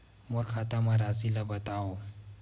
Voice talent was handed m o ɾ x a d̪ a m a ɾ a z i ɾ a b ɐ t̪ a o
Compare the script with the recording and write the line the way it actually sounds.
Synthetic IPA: m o ɾ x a t̪ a m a ɾ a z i l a b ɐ t̪ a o